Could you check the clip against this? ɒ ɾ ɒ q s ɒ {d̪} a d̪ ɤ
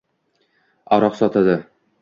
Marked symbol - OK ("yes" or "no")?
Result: no